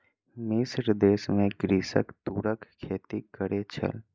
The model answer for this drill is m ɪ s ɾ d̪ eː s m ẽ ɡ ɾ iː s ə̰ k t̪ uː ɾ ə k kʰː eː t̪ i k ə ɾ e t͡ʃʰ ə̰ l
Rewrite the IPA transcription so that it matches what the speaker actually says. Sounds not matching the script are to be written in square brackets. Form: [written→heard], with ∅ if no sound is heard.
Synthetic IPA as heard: m ɪ s ɾ d̪ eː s m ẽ ɡ ɾ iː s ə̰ k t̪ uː ɾ ə k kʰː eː t̪ i k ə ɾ e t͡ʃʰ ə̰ l